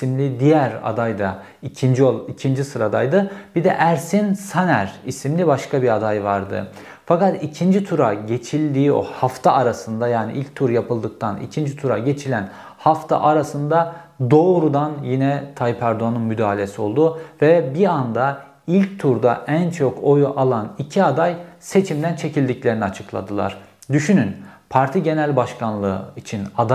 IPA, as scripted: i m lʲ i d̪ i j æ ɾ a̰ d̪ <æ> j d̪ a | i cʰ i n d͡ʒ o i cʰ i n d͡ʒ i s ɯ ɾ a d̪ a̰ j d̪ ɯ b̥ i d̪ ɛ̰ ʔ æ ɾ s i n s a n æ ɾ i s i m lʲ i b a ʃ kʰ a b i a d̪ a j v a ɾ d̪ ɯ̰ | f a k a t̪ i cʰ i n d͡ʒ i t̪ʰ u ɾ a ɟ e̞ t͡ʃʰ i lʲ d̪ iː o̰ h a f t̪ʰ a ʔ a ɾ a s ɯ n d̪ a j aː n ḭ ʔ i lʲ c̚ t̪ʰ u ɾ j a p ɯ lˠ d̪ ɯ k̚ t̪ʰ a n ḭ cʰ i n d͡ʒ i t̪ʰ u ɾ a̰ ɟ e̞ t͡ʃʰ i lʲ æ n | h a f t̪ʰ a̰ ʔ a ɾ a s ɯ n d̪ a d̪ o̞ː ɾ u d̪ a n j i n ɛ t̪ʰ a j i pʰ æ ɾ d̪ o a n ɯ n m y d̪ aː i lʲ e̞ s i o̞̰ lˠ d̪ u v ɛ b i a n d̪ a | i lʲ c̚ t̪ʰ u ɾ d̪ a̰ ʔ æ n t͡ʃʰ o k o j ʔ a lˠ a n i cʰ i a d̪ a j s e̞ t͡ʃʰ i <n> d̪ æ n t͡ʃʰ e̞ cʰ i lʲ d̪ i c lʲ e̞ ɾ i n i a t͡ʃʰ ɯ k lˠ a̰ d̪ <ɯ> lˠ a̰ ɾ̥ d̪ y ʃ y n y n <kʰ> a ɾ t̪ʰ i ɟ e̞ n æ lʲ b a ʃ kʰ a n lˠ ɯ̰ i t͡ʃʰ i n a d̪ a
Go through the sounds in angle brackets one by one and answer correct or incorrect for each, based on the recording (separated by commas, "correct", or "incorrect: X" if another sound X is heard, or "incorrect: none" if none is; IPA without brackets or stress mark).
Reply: incorrect: a, incorrect: m, correct, incorrect: pʰ